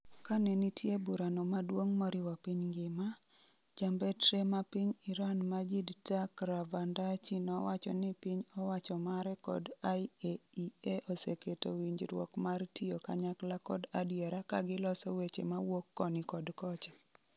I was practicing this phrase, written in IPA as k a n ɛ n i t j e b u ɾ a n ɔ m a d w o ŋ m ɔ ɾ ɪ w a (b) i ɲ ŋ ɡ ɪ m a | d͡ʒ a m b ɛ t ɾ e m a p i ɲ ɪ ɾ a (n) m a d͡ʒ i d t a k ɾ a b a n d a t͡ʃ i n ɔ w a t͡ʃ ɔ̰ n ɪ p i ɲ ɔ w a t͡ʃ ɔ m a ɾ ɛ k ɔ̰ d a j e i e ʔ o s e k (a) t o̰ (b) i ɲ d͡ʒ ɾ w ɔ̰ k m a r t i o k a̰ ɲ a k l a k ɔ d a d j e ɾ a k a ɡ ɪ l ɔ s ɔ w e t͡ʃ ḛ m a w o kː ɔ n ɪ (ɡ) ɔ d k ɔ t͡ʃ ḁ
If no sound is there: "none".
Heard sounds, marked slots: p, n, e, w, k

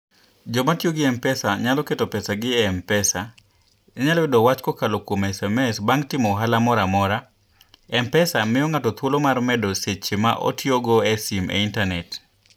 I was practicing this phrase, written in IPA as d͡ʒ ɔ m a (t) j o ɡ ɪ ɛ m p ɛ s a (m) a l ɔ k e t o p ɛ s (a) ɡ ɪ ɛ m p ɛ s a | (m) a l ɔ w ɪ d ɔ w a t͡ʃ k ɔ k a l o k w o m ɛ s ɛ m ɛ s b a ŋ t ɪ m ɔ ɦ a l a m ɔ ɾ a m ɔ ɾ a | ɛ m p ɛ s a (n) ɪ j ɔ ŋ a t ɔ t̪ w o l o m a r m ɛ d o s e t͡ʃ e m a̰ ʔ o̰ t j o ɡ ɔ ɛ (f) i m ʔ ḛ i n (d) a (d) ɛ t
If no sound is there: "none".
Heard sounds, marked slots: t, ɲ, a, ɲ, m, s, t, n

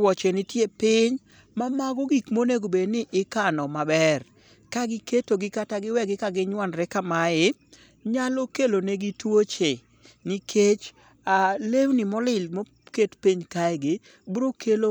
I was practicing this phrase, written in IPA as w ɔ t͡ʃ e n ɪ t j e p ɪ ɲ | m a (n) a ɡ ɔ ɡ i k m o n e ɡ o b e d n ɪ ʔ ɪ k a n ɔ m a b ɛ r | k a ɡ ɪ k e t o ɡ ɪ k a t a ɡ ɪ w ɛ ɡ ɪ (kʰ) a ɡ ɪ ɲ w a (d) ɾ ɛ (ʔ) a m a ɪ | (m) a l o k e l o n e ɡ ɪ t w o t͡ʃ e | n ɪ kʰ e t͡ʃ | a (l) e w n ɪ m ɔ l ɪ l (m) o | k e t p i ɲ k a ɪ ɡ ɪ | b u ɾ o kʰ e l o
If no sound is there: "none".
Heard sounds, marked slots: m, k, n, k, ɲ, l, m

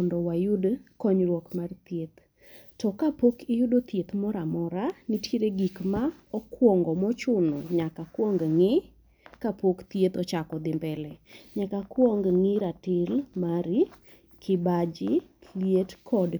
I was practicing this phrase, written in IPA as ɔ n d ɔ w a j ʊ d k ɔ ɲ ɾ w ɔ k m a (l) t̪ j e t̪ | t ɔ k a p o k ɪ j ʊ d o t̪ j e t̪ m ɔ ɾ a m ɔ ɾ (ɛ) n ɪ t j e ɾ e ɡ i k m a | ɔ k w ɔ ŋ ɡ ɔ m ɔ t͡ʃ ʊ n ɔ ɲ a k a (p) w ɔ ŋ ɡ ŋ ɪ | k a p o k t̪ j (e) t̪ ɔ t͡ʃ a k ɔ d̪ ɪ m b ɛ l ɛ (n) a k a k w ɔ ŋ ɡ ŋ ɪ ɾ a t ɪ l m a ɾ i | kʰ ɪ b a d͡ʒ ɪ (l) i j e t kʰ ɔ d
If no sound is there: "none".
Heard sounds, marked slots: r, a, k, e, ɲ, l

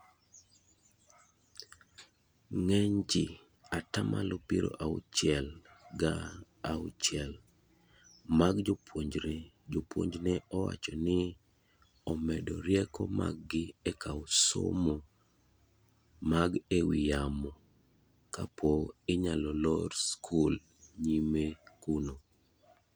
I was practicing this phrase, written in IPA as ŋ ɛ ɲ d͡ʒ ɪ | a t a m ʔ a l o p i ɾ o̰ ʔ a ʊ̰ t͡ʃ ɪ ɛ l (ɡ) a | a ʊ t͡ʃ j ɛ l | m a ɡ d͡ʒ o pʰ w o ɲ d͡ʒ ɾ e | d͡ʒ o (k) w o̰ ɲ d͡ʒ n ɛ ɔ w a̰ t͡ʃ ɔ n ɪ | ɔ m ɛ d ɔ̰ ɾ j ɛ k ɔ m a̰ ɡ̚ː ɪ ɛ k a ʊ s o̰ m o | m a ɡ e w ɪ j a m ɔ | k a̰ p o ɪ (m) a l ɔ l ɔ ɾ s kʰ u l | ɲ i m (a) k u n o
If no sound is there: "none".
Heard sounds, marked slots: ɡ, p, ɲ, e

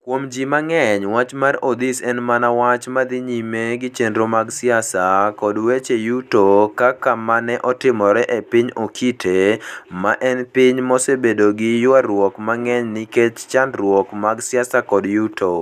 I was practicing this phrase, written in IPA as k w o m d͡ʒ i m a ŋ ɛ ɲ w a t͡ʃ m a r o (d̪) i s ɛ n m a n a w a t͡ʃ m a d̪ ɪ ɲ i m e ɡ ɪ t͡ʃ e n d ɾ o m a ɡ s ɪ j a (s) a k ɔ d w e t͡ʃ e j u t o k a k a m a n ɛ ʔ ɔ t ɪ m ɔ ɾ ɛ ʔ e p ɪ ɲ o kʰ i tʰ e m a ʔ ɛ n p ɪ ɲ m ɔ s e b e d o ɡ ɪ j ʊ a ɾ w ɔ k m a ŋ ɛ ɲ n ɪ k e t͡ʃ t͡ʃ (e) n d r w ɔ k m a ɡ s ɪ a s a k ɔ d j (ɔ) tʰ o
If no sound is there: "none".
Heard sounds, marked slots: d̪, s, a, u

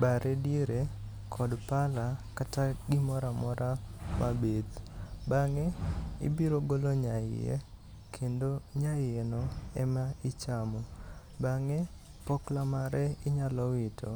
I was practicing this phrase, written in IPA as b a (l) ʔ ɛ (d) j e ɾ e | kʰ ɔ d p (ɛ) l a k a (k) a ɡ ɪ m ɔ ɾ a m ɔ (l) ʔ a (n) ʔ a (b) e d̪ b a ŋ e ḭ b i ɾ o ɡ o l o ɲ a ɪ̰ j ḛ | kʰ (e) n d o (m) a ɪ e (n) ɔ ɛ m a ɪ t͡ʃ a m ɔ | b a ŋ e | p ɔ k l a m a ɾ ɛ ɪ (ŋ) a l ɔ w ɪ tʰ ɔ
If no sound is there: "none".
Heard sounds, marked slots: ɾ, d, a, t, ɾ, m, b, e, ɲ, n, ɲ

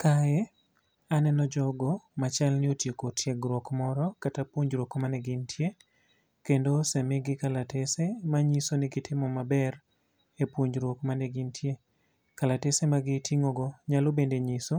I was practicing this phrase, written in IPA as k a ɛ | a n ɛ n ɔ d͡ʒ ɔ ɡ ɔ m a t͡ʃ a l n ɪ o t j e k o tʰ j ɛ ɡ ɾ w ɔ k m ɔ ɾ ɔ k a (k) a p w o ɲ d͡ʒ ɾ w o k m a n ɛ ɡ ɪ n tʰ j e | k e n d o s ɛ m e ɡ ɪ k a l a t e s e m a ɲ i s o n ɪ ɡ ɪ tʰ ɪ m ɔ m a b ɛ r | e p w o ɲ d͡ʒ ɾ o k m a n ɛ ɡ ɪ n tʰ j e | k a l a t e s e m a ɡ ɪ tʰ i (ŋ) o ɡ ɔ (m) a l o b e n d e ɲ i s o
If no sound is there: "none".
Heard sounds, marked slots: t, ŋ, ɲ

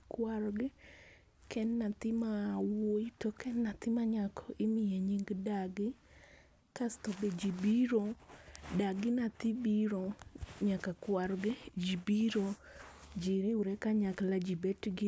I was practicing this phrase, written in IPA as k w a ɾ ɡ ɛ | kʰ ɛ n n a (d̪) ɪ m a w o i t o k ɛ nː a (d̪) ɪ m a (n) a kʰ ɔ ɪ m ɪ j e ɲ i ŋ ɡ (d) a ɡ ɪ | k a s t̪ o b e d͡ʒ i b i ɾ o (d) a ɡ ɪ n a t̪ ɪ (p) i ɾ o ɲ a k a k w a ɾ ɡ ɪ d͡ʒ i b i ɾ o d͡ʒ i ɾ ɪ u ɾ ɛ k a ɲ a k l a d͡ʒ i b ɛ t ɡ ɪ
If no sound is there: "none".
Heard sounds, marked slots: t̪, t̪, ɲ, d, d, b

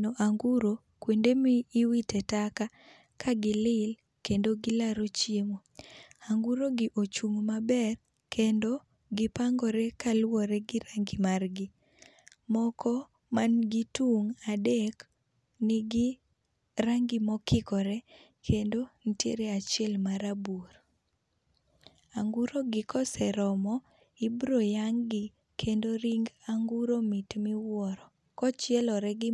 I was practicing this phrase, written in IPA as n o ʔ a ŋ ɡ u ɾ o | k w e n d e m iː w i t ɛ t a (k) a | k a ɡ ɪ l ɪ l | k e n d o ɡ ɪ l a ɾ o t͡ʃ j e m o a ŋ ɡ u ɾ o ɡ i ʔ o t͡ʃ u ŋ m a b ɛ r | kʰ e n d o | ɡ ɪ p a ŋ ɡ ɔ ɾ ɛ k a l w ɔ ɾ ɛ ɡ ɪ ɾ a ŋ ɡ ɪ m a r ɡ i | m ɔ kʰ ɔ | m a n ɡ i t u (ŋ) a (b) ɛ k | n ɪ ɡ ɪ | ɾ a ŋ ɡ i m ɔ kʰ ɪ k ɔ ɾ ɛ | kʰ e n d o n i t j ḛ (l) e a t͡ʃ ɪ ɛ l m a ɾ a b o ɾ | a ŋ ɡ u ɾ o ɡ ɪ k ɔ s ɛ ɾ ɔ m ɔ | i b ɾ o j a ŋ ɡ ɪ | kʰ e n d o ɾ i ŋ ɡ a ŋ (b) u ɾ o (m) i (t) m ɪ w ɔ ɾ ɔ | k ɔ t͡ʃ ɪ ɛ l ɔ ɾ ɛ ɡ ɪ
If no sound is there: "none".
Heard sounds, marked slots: k, ŋ, d, ɾ, ɡ, m, t

